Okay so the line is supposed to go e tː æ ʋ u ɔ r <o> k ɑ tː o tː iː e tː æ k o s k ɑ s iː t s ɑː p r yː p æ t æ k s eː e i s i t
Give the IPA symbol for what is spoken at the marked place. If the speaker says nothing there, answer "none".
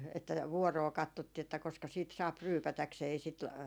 oː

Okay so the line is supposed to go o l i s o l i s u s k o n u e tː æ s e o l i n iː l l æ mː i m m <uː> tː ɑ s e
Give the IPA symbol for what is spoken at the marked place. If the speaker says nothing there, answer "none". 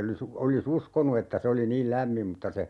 u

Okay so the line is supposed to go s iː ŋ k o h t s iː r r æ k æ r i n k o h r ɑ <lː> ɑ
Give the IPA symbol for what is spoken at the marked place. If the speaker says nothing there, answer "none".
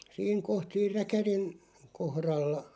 lː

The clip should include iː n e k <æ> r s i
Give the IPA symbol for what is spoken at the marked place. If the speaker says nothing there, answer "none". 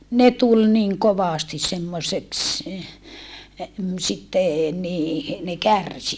æ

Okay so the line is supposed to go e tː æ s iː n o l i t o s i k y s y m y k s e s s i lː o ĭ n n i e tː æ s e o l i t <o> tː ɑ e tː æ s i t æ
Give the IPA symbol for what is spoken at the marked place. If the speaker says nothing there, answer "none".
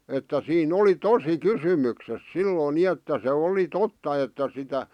o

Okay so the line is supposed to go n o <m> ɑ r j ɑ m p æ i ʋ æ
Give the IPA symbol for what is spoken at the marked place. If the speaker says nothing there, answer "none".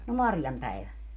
m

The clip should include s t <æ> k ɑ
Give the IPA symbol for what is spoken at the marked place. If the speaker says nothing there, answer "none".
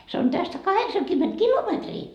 æ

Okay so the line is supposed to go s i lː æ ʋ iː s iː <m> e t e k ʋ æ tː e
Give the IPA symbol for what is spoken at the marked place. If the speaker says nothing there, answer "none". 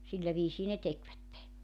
n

